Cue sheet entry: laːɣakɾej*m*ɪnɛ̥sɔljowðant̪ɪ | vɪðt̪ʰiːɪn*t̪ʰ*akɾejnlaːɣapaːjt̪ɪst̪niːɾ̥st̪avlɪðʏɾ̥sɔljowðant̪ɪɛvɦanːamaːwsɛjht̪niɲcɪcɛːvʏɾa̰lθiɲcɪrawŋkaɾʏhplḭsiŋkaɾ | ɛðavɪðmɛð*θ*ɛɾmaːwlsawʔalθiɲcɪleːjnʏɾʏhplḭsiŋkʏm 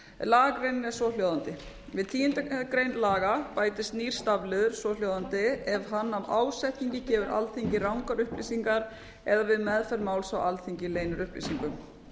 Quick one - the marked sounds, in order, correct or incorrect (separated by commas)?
incorrect, incorrect, incorrect